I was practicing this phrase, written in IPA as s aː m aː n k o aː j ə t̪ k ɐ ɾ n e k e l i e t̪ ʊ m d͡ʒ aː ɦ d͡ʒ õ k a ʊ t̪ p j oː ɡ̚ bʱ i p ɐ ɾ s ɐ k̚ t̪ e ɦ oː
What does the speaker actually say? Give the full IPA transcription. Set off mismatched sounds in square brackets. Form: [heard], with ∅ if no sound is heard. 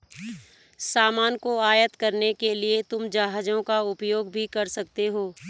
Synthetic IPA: s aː m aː n k o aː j ə t̪ k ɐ ɾ n e k e l i e t̪ ʊ m d͡ʒ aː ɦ d͡ʒ õ k a ʊ [∅] p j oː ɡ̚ bʱ i [k] ɐ ɾ s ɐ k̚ t̪ e ɦ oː